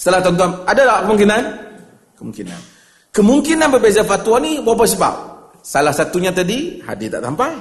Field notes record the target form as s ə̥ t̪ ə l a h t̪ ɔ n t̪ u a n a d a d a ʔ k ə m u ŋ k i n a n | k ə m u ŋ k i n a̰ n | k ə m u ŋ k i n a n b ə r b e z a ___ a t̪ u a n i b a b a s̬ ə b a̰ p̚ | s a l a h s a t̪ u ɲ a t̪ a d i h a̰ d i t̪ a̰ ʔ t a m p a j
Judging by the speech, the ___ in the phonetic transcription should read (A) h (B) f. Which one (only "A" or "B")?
B